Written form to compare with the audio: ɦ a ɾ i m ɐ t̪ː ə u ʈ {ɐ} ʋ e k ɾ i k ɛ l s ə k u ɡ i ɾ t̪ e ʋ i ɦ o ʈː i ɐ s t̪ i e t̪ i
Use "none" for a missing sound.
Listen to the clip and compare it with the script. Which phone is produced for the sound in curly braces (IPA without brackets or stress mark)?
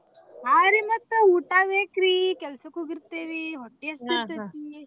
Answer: a